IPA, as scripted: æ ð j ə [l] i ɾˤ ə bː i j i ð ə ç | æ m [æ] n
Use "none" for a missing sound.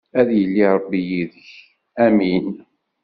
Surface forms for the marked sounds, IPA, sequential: lː, i

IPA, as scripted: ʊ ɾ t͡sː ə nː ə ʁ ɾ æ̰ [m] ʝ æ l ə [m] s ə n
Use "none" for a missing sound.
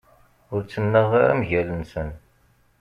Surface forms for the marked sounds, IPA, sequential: m, n

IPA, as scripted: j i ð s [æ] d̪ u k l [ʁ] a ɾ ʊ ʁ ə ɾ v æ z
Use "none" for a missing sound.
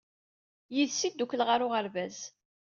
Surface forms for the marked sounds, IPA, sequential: i, ʁ

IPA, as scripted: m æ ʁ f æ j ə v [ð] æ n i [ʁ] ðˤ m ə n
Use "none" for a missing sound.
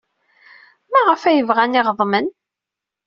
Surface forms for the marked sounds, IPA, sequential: ʁ, ʁ

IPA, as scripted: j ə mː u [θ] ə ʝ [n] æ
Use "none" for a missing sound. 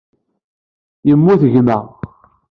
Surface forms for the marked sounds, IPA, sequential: θ, m

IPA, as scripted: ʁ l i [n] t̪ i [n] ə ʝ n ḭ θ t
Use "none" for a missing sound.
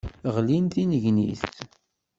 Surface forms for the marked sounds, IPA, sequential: n, n

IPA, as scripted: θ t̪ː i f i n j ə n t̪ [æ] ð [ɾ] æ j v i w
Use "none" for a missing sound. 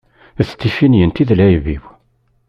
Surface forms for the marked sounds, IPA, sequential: i, l

